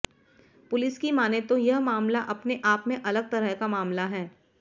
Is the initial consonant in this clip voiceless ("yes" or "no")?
yes